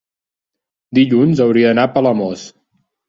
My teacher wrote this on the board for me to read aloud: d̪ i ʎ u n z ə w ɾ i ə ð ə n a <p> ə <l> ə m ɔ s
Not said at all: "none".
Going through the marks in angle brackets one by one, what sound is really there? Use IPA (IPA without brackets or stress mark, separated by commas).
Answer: p, l